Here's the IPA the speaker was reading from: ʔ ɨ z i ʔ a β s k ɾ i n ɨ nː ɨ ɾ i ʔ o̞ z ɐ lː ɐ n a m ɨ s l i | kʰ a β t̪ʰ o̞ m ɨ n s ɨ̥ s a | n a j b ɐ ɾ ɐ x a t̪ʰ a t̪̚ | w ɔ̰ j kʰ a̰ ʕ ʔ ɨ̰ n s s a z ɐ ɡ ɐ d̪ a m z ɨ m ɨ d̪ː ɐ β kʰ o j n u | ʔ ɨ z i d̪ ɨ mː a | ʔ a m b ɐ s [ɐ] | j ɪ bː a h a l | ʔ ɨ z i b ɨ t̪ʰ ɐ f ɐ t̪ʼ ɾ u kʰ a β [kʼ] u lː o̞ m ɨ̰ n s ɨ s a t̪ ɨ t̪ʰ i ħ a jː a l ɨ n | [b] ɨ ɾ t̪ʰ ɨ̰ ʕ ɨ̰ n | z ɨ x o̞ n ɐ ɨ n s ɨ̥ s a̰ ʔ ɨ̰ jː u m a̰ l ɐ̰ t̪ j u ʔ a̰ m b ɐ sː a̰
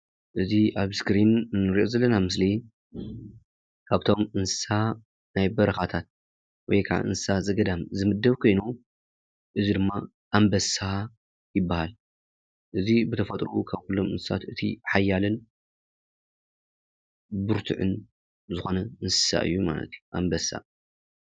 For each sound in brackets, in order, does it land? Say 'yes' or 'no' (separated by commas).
no, no, yes